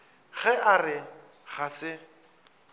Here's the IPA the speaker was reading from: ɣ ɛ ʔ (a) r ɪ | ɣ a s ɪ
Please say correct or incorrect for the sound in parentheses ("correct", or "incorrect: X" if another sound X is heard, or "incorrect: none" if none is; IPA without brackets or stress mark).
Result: correct